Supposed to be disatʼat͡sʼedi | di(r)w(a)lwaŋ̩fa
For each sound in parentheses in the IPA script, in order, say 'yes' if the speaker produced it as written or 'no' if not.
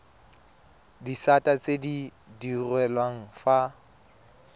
yes, no

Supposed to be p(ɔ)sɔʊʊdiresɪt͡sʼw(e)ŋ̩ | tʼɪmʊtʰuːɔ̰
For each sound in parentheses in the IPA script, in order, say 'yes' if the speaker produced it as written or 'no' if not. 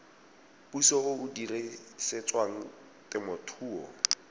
no, no

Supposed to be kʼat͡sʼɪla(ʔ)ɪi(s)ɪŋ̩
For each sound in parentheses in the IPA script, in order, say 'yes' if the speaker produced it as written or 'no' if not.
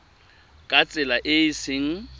yes, yes

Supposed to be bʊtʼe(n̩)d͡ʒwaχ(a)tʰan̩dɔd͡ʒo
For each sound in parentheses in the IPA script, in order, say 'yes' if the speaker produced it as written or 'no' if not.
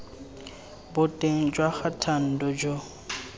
no, yes

